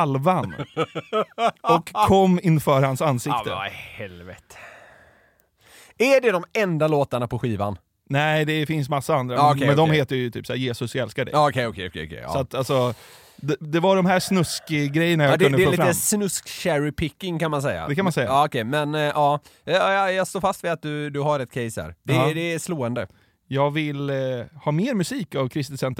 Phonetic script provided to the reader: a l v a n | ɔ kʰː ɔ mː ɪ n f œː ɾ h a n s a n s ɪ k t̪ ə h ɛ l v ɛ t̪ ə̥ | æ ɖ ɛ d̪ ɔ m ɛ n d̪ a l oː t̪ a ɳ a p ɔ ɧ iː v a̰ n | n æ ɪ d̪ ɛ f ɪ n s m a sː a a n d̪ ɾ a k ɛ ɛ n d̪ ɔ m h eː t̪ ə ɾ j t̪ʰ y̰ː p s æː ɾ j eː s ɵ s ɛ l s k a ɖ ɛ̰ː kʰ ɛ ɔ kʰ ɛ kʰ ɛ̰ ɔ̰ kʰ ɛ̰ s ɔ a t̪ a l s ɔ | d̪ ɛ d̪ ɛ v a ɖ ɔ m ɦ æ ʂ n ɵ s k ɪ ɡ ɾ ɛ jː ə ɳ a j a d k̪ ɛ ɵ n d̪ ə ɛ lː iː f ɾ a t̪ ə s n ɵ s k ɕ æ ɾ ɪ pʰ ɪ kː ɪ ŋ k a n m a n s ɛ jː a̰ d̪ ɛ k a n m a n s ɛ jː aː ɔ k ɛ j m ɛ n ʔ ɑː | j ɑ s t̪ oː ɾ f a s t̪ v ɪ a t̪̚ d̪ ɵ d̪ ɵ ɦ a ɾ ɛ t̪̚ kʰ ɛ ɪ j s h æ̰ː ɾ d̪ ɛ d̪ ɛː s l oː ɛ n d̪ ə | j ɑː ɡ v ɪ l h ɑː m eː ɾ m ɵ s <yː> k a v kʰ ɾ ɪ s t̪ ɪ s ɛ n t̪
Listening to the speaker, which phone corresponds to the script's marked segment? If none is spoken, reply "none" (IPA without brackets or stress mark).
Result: iː